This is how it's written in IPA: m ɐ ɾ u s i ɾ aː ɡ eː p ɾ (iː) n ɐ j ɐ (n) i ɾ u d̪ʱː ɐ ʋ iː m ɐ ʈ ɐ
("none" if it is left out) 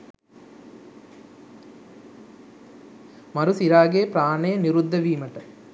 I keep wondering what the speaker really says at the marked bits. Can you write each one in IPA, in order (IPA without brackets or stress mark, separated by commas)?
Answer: aː, n